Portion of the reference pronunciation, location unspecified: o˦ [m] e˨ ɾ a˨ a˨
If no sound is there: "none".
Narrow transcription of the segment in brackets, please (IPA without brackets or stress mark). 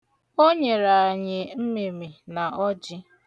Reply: ɲ